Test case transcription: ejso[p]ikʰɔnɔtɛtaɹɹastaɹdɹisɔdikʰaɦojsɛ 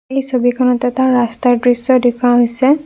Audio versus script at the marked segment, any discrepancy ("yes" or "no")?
yes